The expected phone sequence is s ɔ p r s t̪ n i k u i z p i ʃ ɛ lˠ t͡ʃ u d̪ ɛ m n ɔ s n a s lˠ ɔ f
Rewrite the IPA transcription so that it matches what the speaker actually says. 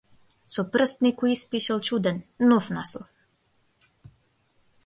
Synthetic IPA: s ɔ p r s t̪ n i k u i s p i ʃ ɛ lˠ t͡ʃ u d̪ ɛ n n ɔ f n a s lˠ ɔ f